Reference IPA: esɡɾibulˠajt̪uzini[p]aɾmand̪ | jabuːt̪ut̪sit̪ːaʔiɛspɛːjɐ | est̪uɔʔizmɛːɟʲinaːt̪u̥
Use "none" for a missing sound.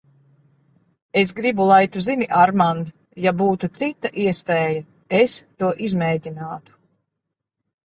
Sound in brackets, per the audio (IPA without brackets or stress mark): ʔ